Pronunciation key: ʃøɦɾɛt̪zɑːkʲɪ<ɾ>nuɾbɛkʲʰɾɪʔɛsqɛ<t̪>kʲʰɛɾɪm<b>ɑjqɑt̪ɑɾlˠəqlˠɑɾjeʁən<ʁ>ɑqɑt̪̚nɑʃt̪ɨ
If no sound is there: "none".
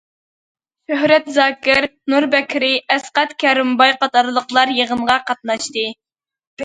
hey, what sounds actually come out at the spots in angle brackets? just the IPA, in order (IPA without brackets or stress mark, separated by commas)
ɾ, t̪, b, ʁ